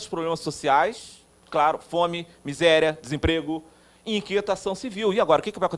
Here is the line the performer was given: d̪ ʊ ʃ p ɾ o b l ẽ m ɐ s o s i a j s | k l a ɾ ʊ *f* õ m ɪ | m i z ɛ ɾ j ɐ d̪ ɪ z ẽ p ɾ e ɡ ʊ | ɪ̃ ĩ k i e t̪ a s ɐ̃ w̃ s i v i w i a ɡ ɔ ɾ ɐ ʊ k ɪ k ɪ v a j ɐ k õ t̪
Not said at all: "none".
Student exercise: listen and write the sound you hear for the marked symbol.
f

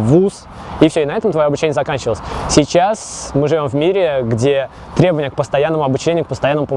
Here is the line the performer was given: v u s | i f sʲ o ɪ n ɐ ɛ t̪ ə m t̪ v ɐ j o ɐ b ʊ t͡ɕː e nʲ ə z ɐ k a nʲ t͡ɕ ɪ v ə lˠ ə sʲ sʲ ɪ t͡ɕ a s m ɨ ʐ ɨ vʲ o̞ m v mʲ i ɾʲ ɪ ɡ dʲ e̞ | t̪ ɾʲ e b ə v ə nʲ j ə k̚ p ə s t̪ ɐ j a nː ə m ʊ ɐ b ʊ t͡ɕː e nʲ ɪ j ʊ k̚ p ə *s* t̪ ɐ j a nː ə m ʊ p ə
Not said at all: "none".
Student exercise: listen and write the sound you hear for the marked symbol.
s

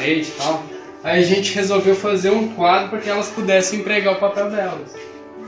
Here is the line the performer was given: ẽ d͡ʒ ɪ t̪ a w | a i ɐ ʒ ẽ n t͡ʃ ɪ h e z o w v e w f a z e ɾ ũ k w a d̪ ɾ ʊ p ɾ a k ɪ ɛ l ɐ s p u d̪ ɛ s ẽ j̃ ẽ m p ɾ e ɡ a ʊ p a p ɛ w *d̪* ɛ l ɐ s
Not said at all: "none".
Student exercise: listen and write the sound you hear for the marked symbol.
d̪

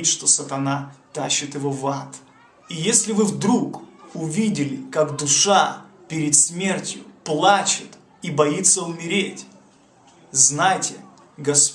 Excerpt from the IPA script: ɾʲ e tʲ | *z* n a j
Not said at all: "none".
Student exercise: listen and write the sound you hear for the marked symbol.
z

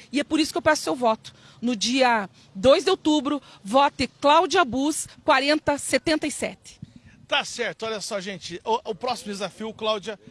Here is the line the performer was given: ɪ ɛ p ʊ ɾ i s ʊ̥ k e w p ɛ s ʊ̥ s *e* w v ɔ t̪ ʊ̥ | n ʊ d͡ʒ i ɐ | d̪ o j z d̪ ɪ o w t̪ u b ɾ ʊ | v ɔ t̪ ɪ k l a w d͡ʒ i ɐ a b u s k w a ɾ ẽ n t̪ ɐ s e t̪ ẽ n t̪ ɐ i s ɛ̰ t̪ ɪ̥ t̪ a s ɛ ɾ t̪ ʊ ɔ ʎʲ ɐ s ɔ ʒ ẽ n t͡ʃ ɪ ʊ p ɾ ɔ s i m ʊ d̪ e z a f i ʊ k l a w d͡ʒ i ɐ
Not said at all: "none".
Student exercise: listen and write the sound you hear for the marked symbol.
e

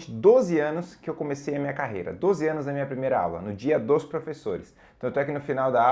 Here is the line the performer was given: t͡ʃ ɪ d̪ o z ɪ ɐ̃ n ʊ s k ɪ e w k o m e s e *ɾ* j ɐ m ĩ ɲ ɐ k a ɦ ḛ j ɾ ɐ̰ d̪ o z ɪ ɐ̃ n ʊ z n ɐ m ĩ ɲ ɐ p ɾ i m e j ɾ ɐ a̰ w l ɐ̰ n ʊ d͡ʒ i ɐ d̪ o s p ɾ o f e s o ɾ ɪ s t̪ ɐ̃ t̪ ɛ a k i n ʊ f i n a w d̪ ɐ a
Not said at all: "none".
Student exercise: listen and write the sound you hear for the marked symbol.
none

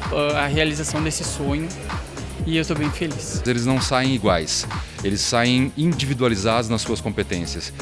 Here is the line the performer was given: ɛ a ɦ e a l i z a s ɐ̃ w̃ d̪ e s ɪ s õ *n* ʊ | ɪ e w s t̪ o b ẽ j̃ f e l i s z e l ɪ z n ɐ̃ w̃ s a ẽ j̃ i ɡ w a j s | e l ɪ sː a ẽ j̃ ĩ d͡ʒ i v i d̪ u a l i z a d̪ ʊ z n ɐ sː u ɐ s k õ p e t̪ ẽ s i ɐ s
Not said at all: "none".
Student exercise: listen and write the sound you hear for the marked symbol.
ɲ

